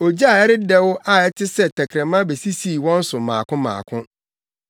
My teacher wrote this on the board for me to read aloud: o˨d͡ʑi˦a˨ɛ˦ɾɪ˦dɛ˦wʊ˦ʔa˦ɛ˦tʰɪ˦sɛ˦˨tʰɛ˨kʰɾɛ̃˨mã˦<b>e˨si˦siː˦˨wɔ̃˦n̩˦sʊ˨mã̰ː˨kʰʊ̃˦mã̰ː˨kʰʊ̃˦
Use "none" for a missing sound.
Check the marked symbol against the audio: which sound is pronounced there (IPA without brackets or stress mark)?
b